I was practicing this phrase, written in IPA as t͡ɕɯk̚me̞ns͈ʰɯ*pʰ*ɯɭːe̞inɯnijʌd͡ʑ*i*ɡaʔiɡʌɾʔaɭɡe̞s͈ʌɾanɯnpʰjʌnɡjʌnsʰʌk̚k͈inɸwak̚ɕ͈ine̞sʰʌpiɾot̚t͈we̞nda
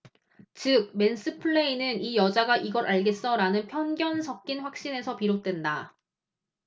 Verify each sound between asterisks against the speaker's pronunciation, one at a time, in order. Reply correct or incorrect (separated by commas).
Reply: correct, incorrect